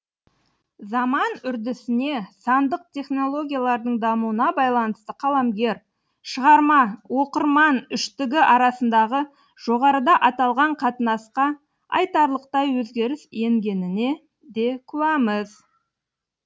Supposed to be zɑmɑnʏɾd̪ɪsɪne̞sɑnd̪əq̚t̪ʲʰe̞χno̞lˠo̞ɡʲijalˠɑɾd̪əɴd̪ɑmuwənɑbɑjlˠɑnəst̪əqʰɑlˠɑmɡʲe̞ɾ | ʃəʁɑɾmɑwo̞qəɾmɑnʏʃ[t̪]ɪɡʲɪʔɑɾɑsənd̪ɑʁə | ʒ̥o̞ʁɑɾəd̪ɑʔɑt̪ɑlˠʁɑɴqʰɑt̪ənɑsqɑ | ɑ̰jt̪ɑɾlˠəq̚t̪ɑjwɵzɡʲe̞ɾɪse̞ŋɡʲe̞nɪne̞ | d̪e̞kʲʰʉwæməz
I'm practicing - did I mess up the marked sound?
no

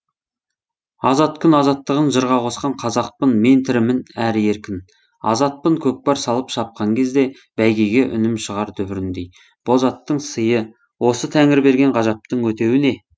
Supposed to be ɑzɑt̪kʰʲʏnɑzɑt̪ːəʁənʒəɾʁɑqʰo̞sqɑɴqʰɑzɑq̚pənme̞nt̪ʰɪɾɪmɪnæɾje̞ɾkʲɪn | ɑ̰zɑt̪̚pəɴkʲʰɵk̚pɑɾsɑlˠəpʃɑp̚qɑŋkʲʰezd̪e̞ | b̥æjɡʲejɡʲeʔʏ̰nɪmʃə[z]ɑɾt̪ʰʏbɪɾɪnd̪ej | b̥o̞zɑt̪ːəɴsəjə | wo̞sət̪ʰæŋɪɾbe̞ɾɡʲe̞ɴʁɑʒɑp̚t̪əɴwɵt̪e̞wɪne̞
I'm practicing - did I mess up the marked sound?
yes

